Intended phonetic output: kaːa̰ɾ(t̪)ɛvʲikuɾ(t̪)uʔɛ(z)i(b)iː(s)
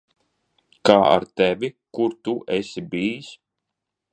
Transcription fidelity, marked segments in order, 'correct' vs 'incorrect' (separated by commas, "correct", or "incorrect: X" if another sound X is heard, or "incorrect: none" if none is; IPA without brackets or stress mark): correct, correct, incorrect: s, correct, correct